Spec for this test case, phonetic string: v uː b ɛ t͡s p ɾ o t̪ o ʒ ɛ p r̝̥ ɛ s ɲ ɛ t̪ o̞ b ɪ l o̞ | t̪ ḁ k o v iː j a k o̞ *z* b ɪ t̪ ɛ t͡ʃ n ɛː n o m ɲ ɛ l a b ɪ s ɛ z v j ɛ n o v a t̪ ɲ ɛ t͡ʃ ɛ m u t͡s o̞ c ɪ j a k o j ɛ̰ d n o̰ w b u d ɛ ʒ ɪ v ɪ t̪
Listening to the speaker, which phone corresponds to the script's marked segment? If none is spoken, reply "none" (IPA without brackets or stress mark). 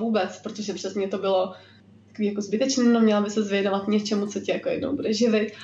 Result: z